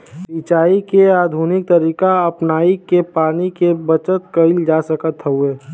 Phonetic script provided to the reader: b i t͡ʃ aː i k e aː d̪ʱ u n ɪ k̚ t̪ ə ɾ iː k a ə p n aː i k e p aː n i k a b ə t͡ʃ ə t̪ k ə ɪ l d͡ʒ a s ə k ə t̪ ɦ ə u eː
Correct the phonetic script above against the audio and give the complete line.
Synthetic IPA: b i t͡ʃ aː i k e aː d̪ʱ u n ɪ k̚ t̪ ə ɾ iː k a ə p n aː i k e p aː n i k e b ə t͡ʃ ə t̪ k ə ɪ l d͡ʒ a s ə k ə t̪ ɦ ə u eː